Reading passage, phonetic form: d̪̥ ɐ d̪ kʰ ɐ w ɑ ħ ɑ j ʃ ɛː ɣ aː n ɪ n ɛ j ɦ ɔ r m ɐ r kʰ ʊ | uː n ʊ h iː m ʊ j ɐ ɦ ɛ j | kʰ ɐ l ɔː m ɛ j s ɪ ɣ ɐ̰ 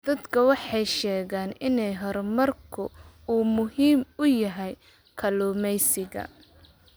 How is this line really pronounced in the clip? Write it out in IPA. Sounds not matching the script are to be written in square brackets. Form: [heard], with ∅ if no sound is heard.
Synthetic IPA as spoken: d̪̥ ɐ d̪ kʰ ɐ w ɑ ħ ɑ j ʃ ɛː ɣ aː n ɪ n ɛ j ɦ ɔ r m ɐ r kʰ ʊ | uː [m] ʊ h iː m ʊ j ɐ ɦ ɛ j | kʰ ɐ l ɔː m ɛ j s ɪ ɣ ɐ̰